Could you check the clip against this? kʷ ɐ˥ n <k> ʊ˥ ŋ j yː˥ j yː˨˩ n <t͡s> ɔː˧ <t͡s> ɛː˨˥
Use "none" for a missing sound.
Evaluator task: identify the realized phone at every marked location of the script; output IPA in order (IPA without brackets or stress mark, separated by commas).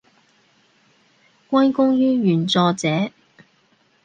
k, t͡s, t͡s